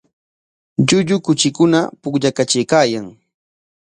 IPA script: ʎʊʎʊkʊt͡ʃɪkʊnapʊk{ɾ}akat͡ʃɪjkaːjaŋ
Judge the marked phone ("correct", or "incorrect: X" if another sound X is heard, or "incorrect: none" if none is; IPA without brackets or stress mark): incorrect: ʎ